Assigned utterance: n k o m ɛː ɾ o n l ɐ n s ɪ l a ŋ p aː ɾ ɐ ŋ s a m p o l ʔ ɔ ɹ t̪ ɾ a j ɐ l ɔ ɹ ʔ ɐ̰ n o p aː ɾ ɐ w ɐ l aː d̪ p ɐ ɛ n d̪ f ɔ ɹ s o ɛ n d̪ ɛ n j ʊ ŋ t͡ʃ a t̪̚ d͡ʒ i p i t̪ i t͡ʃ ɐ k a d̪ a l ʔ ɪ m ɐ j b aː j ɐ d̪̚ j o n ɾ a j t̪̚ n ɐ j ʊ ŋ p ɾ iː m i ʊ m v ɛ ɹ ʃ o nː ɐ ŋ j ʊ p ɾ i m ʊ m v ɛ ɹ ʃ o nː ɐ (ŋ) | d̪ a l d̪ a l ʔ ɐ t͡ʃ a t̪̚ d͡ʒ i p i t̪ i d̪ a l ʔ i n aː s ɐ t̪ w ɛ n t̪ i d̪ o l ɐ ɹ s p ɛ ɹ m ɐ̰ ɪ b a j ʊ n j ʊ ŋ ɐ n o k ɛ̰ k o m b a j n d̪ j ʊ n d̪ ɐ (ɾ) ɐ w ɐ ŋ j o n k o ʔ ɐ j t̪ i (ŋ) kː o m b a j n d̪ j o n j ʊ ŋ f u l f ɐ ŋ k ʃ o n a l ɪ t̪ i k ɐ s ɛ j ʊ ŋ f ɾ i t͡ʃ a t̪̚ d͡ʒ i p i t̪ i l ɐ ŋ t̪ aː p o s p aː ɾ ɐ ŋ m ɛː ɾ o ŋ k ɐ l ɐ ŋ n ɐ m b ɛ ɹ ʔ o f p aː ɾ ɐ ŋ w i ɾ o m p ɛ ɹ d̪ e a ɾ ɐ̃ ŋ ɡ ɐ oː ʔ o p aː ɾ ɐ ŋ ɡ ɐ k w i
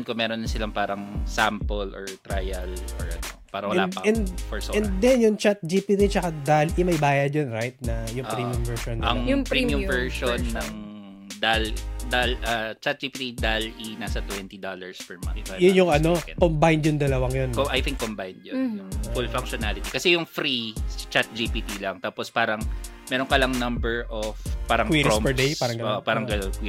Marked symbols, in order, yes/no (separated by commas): yes, no, yes